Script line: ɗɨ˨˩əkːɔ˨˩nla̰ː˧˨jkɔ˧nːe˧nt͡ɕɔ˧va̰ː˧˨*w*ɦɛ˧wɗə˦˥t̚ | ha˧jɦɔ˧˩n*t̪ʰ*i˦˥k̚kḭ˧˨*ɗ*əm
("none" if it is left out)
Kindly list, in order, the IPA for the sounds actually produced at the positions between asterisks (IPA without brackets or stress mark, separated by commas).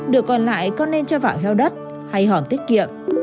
w, t̪, none